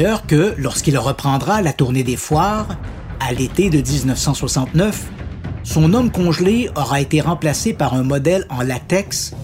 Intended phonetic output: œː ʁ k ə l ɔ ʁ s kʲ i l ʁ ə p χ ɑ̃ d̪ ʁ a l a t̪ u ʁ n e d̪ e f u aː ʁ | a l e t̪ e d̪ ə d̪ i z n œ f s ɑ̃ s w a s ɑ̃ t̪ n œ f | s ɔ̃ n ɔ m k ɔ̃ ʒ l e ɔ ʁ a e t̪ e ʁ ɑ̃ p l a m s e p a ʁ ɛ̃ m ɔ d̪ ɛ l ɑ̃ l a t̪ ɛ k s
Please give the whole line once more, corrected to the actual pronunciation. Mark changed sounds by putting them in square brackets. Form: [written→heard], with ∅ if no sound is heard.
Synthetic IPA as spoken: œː ʁ k ə l ɔ ʁ s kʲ i l ʁ ə p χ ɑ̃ d̪ ʁ a l a t̪ u ʁ n e d̪ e f [u→w] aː ʁ | a l e t̪ e d̪ ə d̪ i z n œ f s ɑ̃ s w a s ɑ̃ t̪ n œ f | s ɔ̃ n ɔ m k ɔ̃ ʒ l e ɔ ʁ a e t̪ e ʁ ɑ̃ p l a [m→∅] s e p a ʁ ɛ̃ m ɔ d̪ ɛ l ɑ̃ l a t̪ ɛ k s